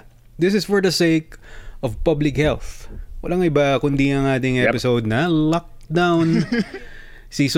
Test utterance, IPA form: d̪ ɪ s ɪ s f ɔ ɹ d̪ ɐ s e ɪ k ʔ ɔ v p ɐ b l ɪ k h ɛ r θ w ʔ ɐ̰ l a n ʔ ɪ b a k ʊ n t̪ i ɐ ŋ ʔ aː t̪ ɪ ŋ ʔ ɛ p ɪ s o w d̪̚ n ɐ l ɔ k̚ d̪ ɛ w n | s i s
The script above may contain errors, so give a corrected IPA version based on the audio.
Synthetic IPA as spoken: d̪ ɪ s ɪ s f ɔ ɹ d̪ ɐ s e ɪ k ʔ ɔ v p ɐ b l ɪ k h ɛ l θ w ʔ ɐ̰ l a ŋ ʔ ɪ b a k ʊ n d̪ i ɐ ŋ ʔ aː t̪ ɪ ŋ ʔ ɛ p ɪ s o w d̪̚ n ɐ l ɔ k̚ d̪ a w n | s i s